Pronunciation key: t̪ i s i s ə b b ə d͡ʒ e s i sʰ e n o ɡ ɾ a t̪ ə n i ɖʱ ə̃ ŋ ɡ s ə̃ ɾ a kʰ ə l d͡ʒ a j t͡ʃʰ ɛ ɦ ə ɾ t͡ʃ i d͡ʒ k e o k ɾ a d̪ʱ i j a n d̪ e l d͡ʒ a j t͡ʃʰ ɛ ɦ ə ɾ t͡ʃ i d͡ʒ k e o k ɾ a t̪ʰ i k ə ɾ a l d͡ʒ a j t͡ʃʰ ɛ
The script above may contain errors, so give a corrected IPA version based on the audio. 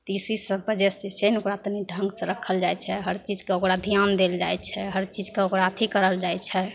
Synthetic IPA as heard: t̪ i s i s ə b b ə d͡ʒ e s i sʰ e n o k ɾ a t̪ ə n i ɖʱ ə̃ ŋ ɡ s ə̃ ɾ ə kʰ ə l d͡ʒ a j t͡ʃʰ ɛ ɦ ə ɾ t͡ʃ i d͡ʒ k e o k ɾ a d̪ʱ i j a n d̪ e l d͡ʒ a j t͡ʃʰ ɛ ɦ ə ɾ t͡ʃ i d͡ʒ k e o k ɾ a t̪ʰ i k ə ɾ ə l d͡ʒ a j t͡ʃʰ ɛ